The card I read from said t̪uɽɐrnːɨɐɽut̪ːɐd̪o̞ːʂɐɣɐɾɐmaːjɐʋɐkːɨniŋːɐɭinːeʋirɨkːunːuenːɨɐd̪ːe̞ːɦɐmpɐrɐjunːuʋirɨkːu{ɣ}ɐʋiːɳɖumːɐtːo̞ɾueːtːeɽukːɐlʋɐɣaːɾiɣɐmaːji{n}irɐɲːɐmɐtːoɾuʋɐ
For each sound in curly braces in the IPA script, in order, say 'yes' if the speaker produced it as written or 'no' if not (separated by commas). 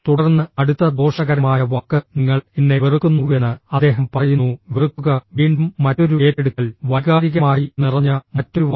yes, yes